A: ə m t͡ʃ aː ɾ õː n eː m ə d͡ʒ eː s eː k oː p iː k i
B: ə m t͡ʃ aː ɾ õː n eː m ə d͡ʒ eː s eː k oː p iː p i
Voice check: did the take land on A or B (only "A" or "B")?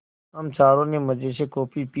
B